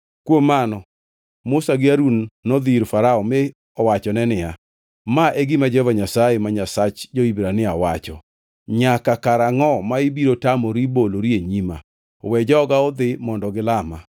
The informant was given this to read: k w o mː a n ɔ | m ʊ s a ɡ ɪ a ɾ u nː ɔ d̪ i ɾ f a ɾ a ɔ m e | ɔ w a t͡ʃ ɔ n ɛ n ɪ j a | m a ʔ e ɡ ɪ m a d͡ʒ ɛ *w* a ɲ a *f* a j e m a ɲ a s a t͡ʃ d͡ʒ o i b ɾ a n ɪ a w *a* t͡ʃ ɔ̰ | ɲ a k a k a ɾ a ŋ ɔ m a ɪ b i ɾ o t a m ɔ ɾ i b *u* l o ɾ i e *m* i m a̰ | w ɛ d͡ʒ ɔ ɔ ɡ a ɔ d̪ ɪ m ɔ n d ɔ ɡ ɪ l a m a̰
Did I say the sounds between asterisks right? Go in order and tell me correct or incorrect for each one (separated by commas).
incorrect, incorrect, correct, incorrect, incorrect